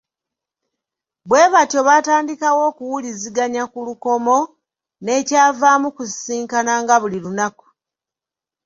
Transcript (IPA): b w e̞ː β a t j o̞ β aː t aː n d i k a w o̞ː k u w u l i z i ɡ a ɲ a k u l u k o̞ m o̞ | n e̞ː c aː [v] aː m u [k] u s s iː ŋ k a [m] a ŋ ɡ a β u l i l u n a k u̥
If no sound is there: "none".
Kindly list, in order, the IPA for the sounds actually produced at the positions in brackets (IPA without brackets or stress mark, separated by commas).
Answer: v, k, n